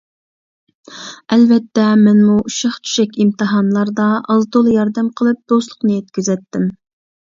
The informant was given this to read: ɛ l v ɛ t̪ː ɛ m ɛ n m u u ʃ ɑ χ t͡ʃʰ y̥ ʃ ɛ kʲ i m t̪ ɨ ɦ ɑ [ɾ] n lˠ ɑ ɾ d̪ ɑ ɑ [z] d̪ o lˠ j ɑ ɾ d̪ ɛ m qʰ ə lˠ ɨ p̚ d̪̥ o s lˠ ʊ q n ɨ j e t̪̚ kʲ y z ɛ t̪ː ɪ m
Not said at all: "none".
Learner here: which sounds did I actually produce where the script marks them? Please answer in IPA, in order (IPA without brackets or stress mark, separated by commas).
none, z